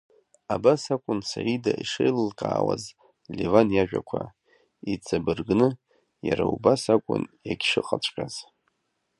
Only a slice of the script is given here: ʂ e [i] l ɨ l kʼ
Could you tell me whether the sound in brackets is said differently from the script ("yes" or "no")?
yes